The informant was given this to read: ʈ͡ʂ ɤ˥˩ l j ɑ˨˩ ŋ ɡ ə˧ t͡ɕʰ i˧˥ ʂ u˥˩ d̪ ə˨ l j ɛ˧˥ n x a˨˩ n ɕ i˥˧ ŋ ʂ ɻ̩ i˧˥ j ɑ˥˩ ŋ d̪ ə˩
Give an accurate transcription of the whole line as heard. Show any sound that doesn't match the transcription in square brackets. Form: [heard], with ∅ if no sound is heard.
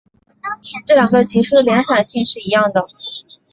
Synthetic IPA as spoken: ʈ͡ʂ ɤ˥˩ l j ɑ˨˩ ŋ ɡ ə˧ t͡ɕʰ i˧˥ ʂ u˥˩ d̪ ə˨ l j ɛ˧˥ n x a˨˩ n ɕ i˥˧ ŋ ʂ ɻ̩ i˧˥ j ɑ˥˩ ŋ d̪ ə˩